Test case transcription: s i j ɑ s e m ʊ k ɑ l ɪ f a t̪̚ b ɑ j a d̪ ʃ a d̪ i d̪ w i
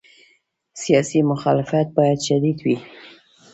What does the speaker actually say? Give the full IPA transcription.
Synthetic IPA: s i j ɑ s i m ʊ x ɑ l ɪ f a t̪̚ b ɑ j a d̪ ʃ a d̪ i d̪ w i